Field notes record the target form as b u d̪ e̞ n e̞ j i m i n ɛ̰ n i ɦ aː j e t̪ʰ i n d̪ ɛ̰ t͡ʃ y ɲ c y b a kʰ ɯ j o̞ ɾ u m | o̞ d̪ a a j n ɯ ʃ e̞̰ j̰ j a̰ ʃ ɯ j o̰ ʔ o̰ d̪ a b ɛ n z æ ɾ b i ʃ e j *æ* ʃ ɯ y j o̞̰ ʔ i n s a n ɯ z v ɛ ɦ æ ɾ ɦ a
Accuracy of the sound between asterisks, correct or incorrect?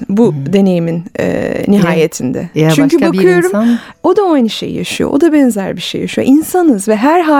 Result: incorrect